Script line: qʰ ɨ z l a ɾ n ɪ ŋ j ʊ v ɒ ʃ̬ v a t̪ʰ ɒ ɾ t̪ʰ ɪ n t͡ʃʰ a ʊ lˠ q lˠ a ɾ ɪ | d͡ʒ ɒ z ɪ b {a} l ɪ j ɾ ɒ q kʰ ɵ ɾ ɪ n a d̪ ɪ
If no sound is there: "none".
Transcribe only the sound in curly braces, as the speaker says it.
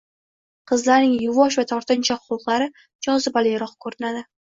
a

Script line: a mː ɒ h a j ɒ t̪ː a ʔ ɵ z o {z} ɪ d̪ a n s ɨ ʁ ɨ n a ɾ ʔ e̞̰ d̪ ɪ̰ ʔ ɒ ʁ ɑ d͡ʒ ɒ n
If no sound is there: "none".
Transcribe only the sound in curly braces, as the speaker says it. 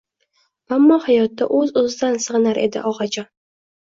z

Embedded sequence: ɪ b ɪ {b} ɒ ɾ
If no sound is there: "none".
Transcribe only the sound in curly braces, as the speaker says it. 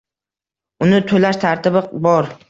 b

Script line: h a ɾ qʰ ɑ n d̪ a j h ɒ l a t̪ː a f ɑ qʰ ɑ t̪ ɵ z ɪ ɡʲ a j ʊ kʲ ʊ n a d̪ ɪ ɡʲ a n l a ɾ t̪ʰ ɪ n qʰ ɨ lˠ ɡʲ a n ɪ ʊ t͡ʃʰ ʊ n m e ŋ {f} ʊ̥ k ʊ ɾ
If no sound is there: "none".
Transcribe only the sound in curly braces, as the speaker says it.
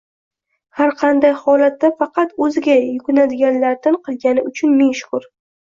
ʃ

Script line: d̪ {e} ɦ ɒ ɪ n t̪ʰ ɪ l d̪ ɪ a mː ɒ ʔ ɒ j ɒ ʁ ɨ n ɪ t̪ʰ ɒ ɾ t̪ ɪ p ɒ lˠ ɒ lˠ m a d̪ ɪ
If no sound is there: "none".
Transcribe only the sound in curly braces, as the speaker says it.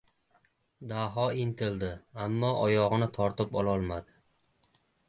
a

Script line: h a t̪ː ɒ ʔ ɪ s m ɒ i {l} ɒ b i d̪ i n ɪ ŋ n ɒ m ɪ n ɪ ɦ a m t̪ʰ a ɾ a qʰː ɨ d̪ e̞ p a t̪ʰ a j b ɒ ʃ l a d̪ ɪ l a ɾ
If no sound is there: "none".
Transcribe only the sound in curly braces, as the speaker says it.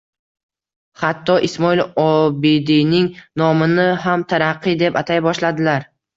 l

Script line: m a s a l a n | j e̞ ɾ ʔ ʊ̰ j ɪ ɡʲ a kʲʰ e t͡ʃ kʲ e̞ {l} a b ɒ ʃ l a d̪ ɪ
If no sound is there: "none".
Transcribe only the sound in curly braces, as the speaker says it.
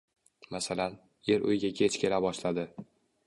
l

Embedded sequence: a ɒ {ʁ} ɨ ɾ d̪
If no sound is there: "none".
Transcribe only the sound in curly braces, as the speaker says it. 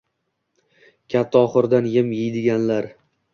χ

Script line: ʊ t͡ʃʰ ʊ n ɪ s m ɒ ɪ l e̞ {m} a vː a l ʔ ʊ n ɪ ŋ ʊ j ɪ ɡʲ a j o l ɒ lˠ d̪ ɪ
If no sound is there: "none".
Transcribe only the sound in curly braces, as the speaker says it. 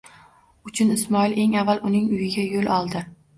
ŋ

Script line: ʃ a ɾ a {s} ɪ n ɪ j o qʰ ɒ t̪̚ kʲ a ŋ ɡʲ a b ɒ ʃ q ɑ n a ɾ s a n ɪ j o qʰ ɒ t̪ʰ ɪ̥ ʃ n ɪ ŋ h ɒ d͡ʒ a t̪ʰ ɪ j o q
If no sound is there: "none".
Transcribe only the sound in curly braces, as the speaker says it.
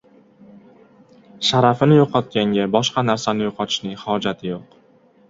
f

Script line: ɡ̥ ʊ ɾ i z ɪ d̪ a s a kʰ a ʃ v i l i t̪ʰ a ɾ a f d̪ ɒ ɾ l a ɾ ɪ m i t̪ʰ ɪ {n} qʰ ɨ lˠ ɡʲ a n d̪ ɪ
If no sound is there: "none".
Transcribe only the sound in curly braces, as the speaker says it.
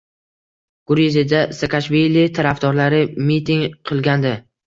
ŋ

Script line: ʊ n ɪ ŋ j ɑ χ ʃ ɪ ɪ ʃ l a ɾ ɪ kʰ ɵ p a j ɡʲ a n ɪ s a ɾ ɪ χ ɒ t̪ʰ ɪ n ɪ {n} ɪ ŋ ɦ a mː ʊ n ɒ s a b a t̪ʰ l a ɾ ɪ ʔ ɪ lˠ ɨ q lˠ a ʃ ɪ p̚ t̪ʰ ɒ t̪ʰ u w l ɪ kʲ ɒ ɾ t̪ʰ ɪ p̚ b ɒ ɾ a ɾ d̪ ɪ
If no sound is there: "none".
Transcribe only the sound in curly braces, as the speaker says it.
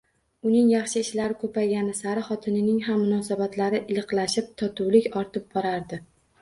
n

